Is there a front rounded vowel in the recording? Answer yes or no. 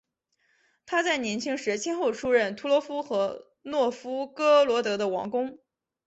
no